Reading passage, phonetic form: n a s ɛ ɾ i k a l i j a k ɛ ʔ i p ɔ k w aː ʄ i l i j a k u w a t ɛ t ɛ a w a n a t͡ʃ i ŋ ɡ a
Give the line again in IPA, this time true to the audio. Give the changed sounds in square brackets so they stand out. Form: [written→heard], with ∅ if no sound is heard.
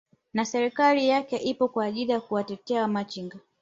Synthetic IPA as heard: n a s ɛ ɾ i k a l i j a k ɛ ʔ i p ɔ k w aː ʄ i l i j a k u w a t ɛ t ɛ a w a [n→m] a t͡ʃ i ŋ ɡ a

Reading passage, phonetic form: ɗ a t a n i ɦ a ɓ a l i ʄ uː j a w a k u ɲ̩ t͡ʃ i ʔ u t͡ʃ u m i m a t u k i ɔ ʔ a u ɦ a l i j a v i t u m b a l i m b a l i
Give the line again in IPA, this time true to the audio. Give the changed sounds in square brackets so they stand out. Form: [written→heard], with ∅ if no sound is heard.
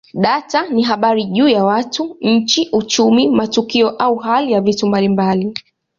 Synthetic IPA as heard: ɗ a t a n i ɦ a ɓ a [l→ɾ] i ʄ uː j a w a [k→t] u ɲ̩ t͡ʃ i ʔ u t͡ʃ u m i m a t u k i ɔ ʔ a u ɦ a l i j a v i t u m b a l i m b a l i

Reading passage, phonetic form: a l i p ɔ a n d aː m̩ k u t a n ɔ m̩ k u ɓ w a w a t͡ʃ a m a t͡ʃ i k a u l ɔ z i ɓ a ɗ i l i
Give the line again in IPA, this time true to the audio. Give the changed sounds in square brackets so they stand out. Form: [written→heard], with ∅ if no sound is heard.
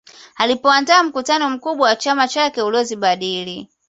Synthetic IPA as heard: a l i p ɔ a n d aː m̩ k u t a n ɔ m̩ k u ɓ w a w a t͡ʃ a m a t͡ʃ [i→a] k [a→ɛ] u l ɔ z i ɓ a ɗ i l i

